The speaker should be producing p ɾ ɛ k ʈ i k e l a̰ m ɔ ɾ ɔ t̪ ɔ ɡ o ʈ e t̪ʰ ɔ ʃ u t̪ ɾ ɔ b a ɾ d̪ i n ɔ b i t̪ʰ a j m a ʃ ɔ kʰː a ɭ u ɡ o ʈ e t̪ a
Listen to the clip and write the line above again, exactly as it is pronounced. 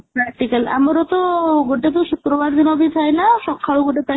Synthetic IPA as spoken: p ɾ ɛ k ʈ i k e l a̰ m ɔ ɾ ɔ t̪ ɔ ɡ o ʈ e t̪ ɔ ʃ u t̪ ɾ ɔ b a ɾ d̪ i n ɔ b i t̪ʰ a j n a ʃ ɔ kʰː a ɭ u ɡ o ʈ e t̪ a

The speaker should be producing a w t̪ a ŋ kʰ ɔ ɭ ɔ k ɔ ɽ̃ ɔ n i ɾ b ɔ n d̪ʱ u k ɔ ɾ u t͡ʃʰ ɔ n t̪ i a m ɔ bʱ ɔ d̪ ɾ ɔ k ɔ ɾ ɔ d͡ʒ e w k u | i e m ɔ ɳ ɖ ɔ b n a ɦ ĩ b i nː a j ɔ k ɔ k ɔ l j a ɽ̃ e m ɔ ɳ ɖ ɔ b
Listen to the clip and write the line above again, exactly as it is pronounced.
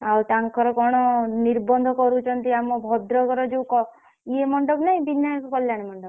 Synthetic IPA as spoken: a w t̪ a ŋ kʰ ɔ ɾ ɔ k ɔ ɽ̃ ɔ n i ɾ b ɔ n d̪ʱ ɔ k ɔ ɾ u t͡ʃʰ ɔ n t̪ i a m ɔ bʱ ɔ d̪ ɾ ɔ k ɔ ɾ ɔ d͡ʒ e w k ɔ | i e m ɔ ɳ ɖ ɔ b n a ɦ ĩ b i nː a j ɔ k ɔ k ɔ l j a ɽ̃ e m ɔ ɳ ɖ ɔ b

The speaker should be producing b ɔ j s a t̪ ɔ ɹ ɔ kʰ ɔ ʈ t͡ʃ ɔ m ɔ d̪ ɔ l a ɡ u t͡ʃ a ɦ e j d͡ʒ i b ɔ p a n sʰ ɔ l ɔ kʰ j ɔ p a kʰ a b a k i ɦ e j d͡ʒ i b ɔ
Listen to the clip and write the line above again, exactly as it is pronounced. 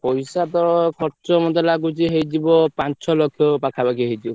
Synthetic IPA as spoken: p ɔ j s a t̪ ɔ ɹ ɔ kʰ ɔ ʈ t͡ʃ ɔ m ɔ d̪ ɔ l a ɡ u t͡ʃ i ɦ e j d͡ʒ i b ɔ p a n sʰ ɔ l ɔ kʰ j ɔ p a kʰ a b a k i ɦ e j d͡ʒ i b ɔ

